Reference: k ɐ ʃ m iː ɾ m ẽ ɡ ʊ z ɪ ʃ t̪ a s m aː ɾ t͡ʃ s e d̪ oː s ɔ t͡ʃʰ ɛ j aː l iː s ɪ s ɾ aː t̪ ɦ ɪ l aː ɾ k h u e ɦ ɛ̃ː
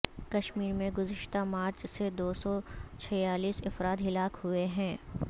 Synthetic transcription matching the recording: k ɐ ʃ m iː ɾ m ẽ ɡ ʊ z ɪ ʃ t̪ a m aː ɾ t͡ʃ s e d̪ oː s ɔ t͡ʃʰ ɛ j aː l iː s ɪ f ɾ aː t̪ ɦ ɪ l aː k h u e ɦ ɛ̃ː